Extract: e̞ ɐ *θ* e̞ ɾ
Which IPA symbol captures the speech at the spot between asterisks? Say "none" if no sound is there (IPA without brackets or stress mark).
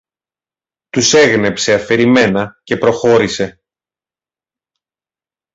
f